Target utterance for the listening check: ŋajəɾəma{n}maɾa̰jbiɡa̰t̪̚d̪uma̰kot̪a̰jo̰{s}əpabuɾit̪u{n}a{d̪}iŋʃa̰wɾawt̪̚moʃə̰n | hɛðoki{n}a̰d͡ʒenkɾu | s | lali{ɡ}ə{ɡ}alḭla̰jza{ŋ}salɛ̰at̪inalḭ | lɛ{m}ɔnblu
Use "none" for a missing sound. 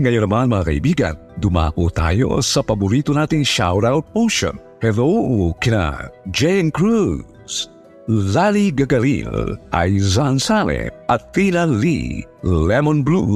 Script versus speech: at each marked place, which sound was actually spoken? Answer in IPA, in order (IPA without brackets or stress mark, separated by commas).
n, s, n, t̪, n, ɡ, ɡ, n, m